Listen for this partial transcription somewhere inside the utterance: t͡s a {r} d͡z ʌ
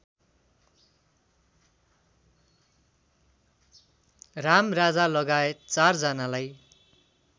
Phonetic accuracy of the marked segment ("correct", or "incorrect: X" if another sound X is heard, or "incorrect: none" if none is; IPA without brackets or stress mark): correct